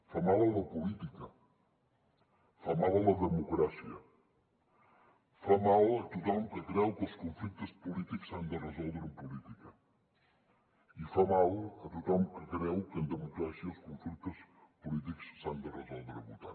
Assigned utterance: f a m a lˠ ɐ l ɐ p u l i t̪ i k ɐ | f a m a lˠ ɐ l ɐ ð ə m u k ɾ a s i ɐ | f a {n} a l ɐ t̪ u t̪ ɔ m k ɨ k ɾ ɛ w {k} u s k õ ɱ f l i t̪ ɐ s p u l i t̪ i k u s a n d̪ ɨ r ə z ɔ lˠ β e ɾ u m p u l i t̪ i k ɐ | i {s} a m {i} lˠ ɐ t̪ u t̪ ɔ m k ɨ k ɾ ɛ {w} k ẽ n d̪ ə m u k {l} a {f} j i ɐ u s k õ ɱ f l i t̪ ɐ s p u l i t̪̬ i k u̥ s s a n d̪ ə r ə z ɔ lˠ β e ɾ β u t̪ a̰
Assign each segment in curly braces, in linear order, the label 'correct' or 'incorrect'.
incorrect: m, correct, incorrect: f, incorrect: a, correct, incorrect: ɾ, incorrect: s

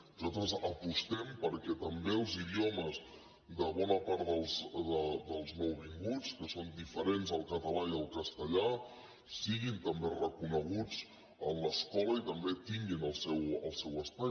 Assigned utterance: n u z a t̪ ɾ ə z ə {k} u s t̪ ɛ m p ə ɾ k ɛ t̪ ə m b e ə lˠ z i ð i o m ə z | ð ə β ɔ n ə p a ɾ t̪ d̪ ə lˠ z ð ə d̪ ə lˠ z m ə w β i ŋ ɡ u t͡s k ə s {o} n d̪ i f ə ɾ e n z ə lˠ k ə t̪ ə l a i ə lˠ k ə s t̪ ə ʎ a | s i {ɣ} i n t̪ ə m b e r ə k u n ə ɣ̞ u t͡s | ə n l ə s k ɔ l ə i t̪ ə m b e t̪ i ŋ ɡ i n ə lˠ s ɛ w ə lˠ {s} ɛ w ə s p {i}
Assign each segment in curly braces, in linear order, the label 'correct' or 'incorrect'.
incorrect: p, correct, correct, correct, incorrect: a

